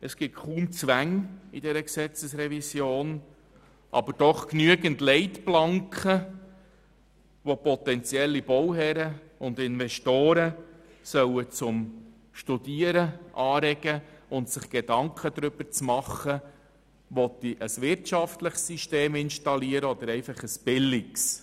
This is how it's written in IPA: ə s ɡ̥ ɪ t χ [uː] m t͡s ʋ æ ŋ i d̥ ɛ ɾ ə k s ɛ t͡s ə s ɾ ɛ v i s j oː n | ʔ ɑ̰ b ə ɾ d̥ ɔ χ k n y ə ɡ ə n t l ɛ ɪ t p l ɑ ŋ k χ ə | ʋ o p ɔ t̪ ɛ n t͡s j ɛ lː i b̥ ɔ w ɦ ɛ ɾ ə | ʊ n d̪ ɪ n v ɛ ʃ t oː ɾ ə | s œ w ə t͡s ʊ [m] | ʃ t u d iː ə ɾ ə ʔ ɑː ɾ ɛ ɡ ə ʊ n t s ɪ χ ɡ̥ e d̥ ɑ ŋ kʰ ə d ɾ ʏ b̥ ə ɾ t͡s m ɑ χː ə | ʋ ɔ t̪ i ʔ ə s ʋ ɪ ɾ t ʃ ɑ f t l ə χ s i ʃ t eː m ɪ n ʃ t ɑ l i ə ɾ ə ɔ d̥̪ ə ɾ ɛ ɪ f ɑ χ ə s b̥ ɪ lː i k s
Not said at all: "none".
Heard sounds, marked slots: uː, m

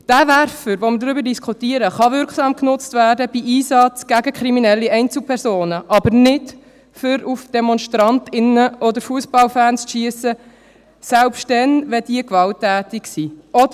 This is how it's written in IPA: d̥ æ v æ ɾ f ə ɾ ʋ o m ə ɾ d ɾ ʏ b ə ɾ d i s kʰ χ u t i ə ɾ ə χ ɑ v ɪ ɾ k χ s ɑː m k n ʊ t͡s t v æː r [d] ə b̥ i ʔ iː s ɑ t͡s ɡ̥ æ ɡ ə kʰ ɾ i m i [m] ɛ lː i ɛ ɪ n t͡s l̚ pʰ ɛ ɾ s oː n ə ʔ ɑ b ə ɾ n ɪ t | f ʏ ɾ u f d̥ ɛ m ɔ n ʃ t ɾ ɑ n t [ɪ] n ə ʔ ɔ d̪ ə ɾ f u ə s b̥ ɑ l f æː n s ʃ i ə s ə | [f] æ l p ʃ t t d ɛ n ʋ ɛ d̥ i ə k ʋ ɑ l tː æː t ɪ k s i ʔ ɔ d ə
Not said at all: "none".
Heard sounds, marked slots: d, n, ɪ, s

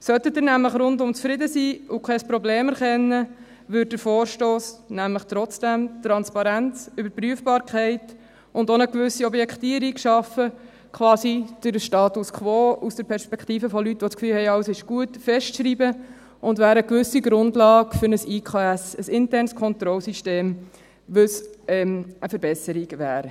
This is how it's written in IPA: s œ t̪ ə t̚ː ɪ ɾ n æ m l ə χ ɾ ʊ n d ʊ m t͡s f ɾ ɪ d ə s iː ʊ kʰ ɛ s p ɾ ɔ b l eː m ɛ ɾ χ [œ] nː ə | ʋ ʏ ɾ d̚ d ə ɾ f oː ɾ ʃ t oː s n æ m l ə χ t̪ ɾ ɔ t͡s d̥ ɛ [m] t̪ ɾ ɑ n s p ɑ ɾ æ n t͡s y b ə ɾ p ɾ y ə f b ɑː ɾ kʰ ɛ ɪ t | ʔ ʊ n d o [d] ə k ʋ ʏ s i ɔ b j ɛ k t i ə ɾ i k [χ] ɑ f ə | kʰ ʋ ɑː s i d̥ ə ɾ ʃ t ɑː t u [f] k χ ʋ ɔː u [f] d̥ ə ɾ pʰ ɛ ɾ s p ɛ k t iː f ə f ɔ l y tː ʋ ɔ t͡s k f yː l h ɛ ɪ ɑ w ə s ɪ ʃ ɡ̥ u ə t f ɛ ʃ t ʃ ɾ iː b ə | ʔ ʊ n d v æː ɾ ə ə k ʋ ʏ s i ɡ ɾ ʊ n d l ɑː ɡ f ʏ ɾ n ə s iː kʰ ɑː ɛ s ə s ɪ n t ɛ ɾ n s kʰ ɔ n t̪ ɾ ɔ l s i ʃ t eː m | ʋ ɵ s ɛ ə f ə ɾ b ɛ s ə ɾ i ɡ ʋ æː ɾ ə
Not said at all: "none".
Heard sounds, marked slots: ɛ, m, n, ʃ, s, s

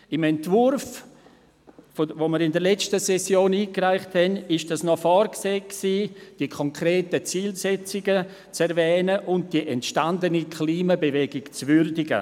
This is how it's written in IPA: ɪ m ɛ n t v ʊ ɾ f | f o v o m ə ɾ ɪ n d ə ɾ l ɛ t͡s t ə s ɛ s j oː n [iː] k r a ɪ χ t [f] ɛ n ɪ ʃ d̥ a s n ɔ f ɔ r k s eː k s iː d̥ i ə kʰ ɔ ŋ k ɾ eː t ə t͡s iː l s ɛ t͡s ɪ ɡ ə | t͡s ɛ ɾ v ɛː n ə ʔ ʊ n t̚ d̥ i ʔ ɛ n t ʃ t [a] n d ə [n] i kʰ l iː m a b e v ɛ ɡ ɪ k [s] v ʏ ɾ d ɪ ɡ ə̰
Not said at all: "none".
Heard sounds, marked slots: iː, h, a, n, t͡s

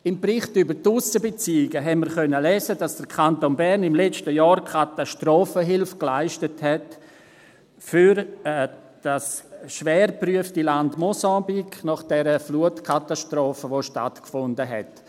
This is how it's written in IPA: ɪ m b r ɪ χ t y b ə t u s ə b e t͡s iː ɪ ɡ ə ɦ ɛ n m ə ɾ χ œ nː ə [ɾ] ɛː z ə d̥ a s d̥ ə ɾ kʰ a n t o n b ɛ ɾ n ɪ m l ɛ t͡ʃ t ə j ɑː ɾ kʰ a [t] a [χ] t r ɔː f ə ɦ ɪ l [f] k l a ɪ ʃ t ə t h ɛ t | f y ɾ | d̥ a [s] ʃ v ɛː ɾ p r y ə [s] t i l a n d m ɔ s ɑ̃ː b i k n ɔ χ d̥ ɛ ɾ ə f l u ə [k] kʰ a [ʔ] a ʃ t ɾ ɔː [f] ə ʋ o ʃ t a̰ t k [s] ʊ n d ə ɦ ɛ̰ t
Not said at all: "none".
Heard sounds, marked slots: l, t, ʃ, f, s, f, t, t, f, f

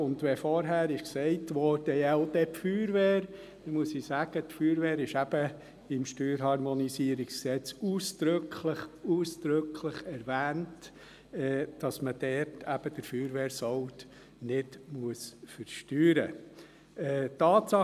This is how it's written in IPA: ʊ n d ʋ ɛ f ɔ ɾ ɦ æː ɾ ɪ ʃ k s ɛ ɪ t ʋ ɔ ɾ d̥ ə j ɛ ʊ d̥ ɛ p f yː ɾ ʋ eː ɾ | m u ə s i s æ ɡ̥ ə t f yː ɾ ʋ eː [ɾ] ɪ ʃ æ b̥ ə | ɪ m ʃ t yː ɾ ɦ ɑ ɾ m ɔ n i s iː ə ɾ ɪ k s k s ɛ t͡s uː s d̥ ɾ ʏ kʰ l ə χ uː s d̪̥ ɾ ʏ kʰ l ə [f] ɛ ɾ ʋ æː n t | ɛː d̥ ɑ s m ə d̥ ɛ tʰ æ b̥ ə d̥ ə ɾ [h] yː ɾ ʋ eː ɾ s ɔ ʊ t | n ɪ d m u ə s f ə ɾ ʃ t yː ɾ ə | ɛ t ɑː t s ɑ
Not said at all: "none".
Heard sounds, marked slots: ɾ, χ, f

